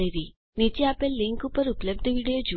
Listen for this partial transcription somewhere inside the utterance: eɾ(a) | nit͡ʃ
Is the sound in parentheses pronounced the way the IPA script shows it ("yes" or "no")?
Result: no